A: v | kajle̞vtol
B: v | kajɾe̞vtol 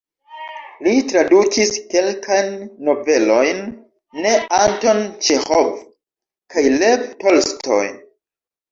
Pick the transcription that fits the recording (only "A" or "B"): A